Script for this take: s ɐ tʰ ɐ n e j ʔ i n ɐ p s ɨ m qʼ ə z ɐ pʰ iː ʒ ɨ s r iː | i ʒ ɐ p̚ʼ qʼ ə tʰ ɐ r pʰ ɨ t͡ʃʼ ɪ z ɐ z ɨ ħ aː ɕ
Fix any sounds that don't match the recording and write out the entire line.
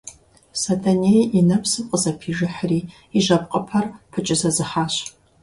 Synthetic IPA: s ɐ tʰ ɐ n e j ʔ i n ɐ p s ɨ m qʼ ə z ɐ pʰ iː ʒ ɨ ħ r iː | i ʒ ɐ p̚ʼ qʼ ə pʰ ɐ r pʰ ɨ t͡ʃʼ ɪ z ɐ z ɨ ħ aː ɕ